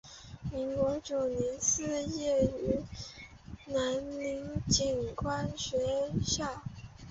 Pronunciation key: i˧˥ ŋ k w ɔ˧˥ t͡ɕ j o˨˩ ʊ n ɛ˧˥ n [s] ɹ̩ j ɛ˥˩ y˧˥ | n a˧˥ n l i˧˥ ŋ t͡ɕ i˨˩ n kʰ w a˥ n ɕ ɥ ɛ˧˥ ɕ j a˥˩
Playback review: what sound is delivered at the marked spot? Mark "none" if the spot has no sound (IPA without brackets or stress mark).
s